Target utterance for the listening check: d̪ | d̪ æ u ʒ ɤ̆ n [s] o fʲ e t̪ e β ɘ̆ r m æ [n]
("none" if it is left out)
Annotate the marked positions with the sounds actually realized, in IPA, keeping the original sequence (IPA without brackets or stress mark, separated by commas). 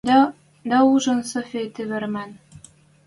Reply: s, n